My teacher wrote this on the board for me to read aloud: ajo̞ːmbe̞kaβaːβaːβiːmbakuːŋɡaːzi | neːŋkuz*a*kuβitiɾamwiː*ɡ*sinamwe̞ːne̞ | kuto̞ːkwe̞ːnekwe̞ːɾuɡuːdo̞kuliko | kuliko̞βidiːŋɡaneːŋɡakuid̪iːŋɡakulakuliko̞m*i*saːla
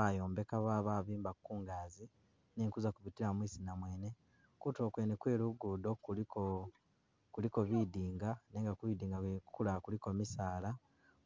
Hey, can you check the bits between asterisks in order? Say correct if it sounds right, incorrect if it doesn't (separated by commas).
correct, incorrect, correct